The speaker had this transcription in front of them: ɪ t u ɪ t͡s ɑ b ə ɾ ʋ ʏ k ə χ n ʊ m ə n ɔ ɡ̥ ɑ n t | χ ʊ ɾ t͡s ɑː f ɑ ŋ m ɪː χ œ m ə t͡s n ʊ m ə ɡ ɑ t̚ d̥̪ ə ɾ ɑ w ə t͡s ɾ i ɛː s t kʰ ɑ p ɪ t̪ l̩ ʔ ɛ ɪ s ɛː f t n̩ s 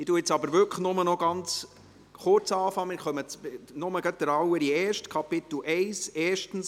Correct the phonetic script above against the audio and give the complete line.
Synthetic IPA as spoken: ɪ t u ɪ t͡s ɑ b ə ɾ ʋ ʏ k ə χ n ʊ m ə n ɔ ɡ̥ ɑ n t͡s | χ ʊ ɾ t͡s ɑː f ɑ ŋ m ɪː χ œ m ə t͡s n ʊ m ə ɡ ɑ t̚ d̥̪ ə ɾ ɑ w ə ɾ i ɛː ʃ t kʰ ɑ p ɪ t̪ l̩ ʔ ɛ ɪ s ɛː ʃ t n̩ s